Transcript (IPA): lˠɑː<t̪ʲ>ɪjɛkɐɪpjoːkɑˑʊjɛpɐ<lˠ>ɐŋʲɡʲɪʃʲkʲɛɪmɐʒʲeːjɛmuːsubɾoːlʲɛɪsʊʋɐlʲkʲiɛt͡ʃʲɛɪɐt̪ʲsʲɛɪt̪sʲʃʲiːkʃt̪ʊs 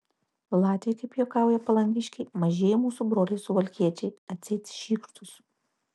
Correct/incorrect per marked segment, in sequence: correct, correct

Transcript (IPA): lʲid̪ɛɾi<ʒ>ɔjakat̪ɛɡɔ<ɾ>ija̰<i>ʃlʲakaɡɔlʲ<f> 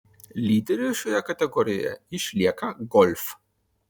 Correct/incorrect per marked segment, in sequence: incorrect, correct, correct, correct

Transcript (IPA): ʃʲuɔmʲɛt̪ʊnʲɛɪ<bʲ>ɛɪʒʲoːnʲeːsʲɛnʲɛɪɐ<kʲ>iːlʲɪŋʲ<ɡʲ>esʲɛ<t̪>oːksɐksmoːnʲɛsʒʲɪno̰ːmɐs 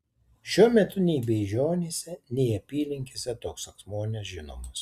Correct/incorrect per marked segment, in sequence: correct, incorrect, incorrect, correct

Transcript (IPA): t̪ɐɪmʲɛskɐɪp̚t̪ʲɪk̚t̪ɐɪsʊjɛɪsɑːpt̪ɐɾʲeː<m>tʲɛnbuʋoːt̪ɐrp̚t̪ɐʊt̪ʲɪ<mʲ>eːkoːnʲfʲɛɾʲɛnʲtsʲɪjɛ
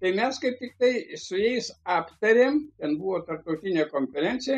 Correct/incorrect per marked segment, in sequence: correct, incorrect

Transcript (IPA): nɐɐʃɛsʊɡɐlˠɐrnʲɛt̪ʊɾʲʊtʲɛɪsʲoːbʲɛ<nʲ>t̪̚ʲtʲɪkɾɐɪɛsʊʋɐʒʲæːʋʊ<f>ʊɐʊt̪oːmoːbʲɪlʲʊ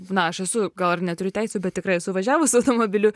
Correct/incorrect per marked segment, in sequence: incorrect, incorrect

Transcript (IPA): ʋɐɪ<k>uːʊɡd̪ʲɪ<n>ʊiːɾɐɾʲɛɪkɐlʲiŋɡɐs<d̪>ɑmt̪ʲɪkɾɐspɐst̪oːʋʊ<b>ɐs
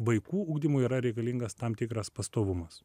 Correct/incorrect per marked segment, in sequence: correct, incorrect, incorrect, incorrect

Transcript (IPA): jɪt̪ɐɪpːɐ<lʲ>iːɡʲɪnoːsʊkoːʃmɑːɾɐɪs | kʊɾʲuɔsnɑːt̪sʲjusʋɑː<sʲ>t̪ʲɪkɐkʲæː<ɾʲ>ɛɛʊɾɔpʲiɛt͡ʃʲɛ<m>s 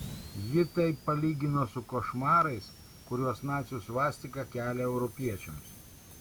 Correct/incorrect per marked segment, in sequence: correct, correct, incorrect, correct

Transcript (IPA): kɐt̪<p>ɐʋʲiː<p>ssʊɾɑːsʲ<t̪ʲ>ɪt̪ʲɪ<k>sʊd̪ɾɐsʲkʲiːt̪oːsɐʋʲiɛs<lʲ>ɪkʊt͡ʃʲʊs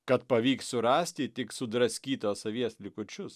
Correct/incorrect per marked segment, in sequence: correct, incorrect, correct, correct, correct

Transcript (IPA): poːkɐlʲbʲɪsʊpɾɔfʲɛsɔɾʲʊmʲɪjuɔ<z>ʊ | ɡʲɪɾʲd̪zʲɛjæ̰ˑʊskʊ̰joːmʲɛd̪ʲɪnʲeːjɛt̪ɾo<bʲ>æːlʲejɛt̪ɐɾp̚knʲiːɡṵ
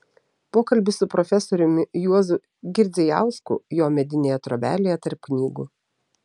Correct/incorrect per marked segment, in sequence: correct, correct

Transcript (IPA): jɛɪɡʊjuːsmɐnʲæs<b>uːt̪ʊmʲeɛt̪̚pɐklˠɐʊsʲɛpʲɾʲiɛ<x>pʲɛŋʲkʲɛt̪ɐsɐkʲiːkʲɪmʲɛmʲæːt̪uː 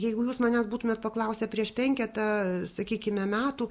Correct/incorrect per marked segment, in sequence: correct, incorrect

